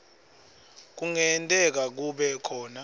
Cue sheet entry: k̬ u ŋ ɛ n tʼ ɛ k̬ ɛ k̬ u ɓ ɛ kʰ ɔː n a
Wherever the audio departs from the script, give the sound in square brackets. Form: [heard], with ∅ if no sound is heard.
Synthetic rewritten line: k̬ u ŋ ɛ n tʼ ɛ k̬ [a] k̬ u ɓ ɛ kʰ ɔː n a